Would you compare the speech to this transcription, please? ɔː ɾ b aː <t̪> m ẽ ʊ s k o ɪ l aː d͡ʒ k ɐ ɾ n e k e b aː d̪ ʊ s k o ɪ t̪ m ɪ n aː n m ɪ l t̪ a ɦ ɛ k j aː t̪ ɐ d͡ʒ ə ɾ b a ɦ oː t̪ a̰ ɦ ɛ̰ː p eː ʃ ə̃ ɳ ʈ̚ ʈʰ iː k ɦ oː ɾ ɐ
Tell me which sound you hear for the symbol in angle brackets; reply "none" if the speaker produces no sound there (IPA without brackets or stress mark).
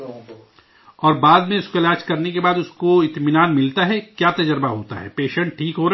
d̪